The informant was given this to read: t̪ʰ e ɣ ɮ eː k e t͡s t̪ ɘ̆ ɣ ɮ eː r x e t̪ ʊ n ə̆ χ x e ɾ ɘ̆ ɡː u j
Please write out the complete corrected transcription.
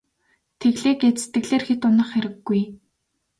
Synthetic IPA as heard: t̪ʰ e ɣ ɮ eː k e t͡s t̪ ɘ̆ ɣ ɮ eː r x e t̪ ʊ n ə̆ χ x e ɾ ɘ̆ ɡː u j